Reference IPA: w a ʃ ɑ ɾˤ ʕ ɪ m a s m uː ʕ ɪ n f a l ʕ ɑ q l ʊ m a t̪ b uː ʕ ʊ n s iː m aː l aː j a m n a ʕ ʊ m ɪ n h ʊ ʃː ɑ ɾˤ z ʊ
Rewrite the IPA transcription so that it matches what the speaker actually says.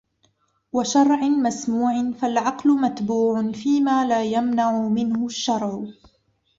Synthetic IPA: w a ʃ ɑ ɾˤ ʕ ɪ m a s m uː ʕ ɪ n f a l ʕ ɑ q l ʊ m a t̪ b uː ʕ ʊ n f iː m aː l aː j a m n a ʕ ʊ m ɪ n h ʊ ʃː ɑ ɾˤ ʕ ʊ

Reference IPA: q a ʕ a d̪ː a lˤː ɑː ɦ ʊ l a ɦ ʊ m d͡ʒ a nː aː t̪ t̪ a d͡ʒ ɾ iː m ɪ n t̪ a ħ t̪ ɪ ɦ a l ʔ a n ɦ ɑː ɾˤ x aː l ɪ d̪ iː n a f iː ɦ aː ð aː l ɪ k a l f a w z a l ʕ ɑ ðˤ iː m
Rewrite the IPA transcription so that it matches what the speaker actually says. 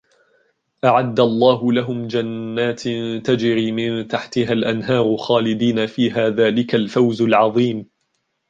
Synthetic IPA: ʔ a ʕ a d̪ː a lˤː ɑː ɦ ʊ l a ɦ ʊ m d͡ʒ a nː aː t̪ t̪ a d͡ʒ ɾ iː m ɪ n t̪ a ħ t̪ ɪ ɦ a l ʔ a n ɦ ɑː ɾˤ x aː l ɪ d̪ iː n a f iː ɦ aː ð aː l ɪ k a l f a w z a l ʕ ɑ ðˤ iː m

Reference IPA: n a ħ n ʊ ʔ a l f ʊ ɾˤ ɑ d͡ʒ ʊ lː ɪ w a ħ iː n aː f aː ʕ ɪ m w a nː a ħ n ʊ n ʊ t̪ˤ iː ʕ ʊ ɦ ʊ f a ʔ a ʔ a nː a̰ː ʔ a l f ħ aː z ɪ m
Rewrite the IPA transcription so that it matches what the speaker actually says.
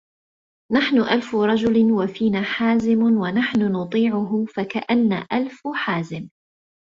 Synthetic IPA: n a ħ n ʊ ʔ a l f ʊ ɾˤ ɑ d͡ʒ ʊ l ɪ w a f iː n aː ħ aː z ɪ m w a n a ħ n ʊ n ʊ t̪ˤ iː ʕ ʊ ɦ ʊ f a k a ʔ a nː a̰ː ʔ a l f ħ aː z ɪ m

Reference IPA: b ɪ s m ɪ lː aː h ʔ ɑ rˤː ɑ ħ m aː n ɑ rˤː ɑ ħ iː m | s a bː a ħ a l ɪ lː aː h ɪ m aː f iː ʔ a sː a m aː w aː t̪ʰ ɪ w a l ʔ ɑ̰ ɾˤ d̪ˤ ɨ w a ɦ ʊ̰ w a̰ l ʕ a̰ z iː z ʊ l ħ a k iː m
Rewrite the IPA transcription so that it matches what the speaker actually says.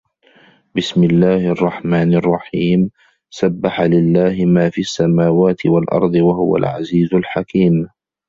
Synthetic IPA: b ɪ s m ɪ lː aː h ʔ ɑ rˤː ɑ ħ m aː n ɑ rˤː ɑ ħ iː m | s a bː a ħ a l ɪ lː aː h ɪ m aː f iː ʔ a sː a m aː w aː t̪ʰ ɪ w a l ʔ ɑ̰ ɾˤ d̪ˤ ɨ w a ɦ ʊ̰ w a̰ l ʕ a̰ z iː z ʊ l ħ a k iː m

